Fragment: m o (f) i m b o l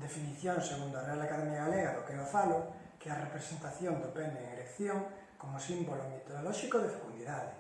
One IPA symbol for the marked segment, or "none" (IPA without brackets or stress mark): s